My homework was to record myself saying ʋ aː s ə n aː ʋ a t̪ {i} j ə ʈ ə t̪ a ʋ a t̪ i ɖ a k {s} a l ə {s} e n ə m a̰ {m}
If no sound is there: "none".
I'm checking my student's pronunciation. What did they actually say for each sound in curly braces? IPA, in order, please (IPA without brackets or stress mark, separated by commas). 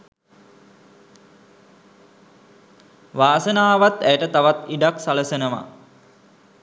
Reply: æ, s, s, none